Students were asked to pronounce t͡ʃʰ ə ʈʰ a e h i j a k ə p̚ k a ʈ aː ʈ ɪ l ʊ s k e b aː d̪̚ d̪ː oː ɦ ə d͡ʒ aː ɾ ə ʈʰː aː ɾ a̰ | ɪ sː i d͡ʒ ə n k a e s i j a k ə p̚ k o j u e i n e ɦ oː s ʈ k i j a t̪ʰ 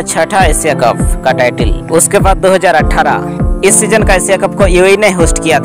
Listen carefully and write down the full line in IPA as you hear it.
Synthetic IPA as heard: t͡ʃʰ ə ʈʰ a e s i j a k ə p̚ k a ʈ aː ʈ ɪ l ʊ s k e b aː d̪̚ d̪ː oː ɦ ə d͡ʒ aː ɾ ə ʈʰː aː ɾ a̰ | ɪ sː i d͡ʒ ə n k a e s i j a k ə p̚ k o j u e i n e ɦ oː s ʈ k i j a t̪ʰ